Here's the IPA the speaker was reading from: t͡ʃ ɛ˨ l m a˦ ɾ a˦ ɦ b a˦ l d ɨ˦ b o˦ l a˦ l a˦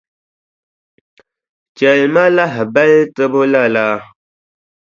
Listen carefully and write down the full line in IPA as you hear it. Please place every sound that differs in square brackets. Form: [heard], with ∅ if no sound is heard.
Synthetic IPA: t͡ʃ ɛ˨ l m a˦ [l] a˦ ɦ b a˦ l [t] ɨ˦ b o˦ l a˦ l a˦